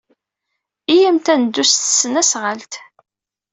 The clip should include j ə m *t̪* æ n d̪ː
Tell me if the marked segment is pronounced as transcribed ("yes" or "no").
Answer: yes